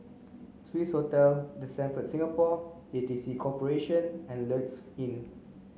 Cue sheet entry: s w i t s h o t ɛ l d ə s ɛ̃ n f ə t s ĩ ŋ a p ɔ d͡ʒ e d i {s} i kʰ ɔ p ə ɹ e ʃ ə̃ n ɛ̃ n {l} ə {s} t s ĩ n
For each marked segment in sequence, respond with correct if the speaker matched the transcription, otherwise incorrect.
correct, correct, incorrect

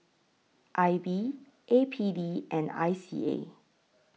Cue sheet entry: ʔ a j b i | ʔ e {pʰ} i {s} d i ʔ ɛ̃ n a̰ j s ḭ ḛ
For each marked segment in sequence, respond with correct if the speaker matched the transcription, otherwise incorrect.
correct, incorrect

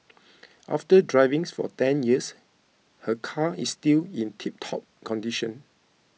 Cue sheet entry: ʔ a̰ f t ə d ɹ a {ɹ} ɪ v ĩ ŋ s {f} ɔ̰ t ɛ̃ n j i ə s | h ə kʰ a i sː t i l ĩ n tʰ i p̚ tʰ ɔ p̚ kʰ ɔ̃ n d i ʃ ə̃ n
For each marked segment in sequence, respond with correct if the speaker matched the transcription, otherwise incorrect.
incorrect, correct

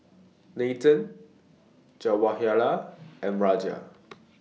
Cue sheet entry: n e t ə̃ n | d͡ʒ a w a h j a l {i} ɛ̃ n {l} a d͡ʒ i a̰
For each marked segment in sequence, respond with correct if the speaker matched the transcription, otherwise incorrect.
incorrect, incorrect

